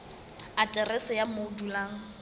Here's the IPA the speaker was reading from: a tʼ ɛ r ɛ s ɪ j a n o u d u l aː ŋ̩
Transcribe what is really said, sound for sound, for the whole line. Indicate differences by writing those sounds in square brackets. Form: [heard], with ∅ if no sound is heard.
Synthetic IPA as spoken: a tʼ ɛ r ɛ s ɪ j a [m] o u d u l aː ŋ̩